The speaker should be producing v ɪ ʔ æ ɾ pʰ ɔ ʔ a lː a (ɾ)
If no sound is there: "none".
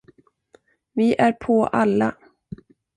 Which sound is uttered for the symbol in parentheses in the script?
none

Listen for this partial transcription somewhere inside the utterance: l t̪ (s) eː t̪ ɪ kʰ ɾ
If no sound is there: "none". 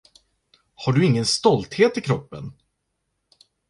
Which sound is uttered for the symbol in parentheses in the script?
h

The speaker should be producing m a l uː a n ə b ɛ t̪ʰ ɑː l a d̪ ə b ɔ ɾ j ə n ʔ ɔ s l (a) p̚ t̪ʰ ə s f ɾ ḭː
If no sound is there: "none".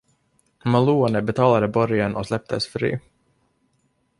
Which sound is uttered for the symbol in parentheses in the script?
ɛ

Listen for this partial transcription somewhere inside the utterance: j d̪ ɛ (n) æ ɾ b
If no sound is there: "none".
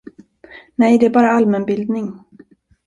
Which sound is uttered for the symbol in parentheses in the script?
none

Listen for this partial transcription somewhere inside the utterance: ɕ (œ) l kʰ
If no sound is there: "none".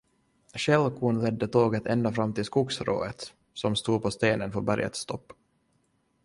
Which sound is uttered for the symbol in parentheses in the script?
ɛ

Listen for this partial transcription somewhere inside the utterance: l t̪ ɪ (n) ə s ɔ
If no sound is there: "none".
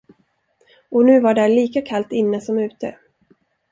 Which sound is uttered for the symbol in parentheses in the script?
nː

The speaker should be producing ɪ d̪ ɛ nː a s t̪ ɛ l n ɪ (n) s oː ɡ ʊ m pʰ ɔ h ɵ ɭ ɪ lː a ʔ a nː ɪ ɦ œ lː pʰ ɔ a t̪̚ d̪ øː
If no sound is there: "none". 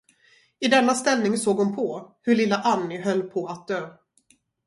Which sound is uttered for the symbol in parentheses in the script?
ŋ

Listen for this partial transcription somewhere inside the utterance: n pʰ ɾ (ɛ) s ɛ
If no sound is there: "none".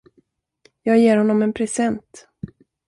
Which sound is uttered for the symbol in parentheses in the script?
ɛ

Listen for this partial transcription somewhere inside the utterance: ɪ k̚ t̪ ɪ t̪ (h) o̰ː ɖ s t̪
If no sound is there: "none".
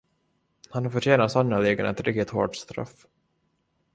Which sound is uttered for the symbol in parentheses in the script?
h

